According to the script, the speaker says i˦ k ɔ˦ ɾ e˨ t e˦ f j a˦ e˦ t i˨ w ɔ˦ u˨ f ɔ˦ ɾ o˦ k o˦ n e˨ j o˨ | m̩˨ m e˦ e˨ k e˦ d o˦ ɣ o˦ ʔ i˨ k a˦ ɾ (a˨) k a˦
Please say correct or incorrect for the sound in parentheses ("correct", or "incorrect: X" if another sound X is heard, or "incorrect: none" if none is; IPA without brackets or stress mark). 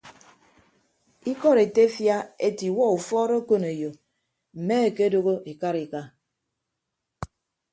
incorrect: i˨